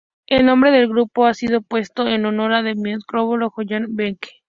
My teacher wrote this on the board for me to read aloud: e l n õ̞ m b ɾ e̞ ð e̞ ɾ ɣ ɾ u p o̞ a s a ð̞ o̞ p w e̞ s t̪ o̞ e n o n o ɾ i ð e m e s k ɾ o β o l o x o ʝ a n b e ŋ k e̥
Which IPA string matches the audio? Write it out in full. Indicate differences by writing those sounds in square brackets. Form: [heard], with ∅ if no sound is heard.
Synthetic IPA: e l n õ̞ m b ɾ e̞ ð e̞ [l] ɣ ɾ u p o̞ a s [i] ð̞ o̞ p w e̞ s t̪ o̞ e n o n o ɾ [a] ð e m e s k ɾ o β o l o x o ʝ a n b e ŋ k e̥